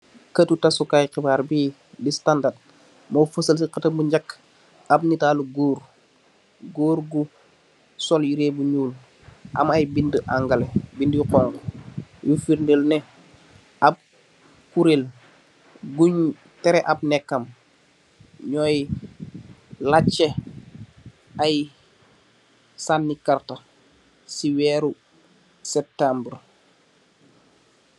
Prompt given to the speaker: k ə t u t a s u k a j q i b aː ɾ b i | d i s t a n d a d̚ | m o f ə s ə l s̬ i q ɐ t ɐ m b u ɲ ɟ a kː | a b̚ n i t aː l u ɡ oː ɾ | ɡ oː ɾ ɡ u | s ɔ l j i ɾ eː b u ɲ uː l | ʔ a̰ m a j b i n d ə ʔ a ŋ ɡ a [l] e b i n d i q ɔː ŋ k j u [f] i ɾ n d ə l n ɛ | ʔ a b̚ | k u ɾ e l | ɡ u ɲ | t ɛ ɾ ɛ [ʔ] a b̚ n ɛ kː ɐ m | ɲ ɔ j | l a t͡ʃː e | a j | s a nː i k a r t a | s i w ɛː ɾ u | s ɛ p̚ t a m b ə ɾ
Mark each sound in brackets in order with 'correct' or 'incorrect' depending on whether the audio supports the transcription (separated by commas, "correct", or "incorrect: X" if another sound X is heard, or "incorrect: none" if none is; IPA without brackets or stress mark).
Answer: correct, correct, correct